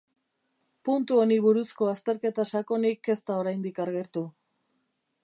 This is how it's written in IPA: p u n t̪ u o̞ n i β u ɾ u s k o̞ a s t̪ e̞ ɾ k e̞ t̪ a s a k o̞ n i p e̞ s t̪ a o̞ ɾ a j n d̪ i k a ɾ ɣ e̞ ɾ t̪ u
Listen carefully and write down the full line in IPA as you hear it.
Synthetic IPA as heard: p u n t̪ u o̞ n i β u ɾ u s k o̞ a s t̪ e̞ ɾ k e̞ t̪ a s a k o̞ n i k e̞ s t̪ a o̞ ɾ a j n d̪ i k a ɾ ɣ e̞ ɾ t̪ u